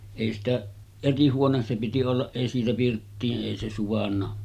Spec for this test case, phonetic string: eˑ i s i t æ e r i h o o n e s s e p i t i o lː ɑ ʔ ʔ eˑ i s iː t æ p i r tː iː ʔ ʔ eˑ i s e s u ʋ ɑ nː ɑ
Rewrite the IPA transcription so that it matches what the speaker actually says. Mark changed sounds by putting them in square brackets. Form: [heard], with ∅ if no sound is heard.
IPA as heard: eˑ i s i t æ e r i h [u] o n e s s e p i t i o lː ɑ ʔ ʔ eˑ i s iː t æ p i r tː iː ʔ ʔ eˑ i s e s u ʋ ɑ nː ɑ